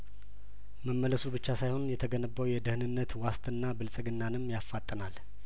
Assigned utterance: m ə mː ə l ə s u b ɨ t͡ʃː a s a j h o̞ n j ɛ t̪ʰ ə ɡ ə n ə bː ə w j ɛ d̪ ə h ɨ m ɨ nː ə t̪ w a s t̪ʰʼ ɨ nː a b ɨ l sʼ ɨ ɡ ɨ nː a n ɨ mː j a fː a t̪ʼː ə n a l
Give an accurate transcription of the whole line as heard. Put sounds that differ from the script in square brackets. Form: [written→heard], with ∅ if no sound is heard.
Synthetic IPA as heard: m ə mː ə l ə s u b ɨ t͡ʃː a s a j h o̞ n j ɛ t̪ʰ ə ɡ ə n ə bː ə w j ɛ d̪ ə h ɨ [m→n] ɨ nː ə t̪ w a s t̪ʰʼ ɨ nː a b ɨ l sʼ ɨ ɡ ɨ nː a n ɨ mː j a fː a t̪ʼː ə n a l